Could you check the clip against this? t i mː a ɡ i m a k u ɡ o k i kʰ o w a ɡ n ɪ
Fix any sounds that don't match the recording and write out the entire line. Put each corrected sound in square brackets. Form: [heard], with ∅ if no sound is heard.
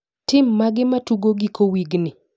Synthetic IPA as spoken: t [ɪ] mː a ɡ [ɪ] m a [t] u ɡ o [ɡ] i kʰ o w [i] ɡ n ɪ